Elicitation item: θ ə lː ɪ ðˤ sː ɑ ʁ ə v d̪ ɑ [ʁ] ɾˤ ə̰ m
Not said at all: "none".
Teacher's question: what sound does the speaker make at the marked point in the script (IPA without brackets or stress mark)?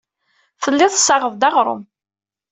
ʁ